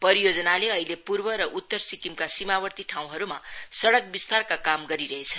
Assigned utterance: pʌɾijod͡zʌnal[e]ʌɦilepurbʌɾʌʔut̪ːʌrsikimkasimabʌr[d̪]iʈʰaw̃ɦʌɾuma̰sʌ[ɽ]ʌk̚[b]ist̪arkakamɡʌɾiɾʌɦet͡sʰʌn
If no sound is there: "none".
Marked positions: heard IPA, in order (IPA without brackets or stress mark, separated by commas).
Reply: e, t̪, ɽ, b